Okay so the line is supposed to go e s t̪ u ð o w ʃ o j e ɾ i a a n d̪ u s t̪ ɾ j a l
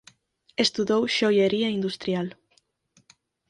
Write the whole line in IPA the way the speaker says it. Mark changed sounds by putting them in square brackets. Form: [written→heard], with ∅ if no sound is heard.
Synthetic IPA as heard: e s t̪ u ð o w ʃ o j e ɾ i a [a→i] n d̪ u s t̪ ɾ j a l